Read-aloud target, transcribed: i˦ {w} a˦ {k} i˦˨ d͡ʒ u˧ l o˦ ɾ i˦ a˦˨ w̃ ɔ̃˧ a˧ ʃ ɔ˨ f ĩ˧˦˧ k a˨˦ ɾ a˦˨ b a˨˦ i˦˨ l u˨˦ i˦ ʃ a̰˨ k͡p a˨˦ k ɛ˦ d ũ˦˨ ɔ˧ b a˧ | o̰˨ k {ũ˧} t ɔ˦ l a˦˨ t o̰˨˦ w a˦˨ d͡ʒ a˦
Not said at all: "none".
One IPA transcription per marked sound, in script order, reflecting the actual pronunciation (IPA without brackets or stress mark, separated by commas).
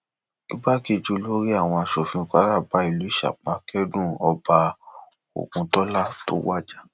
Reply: b, k, ũ˧